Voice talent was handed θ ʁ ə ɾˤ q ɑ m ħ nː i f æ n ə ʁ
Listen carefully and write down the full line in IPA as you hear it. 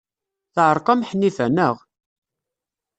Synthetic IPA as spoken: θ ʕ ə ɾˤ q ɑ m ħ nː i f æ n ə ʁ